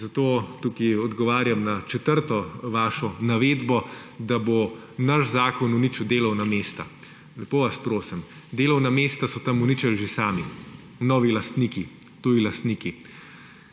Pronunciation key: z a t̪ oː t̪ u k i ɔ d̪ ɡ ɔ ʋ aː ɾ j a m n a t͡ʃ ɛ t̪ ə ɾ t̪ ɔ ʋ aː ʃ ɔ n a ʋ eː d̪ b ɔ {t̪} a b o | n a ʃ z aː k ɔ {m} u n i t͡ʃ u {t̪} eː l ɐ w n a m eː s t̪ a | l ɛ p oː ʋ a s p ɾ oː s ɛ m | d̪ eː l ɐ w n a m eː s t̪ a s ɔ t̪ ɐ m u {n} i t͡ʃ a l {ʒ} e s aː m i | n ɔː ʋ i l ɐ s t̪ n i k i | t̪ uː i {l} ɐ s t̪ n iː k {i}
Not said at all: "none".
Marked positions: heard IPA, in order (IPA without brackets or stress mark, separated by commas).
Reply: d̪, n, d̪, n, ʒ, l, i